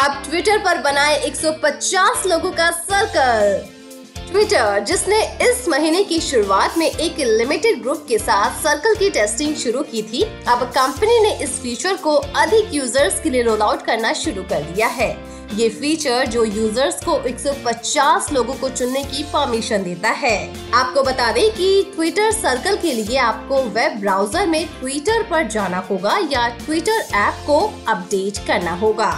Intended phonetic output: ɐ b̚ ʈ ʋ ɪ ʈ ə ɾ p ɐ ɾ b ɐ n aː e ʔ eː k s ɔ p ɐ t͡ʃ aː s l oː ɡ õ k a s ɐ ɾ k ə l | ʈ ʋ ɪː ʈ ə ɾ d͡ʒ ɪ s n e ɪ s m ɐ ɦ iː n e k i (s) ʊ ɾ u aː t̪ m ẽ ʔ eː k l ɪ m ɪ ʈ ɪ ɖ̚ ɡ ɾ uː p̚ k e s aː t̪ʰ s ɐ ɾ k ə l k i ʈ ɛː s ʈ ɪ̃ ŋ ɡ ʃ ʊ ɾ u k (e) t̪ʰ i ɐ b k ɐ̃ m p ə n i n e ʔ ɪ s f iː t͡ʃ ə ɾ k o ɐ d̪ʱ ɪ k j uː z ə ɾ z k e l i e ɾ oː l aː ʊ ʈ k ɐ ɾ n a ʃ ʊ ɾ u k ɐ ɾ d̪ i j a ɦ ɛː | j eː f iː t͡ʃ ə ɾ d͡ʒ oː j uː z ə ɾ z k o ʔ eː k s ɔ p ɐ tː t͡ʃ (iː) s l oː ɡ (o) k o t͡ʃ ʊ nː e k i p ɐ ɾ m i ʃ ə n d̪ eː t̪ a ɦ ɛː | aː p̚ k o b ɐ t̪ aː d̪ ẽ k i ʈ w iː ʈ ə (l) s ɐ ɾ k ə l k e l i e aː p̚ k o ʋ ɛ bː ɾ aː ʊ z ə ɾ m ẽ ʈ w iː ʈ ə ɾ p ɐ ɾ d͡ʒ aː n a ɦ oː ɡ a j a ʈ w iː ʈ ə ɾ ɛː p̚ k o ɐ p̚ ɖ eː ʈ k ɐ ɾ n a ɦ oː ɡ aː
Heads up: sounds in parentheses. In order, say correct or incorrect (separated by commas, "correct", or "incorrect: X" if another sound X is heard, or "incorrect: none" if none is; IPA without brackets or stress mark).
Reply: incorrect: ʃ, incorrect: i, incorrect: aː, incorrect: õ, incorrect: ɾ